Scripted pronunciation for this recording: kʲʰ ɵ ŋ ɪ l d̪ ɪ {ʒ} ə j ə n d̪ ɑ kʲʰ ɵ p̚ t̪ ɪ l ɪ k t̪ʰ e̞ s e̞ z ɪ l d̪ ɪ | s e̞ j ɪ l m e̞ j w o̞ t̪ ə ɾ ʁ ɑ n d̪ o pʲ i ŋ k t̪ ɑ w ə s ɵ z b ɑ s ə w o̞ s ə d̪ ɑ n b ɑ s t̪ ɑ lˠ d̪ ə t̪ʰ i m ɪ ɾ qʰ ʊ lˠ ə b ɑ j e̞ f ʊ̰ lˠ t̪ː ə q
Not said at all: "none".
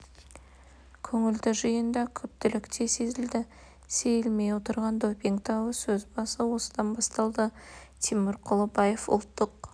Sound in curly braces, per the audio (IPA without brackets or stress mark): ʒ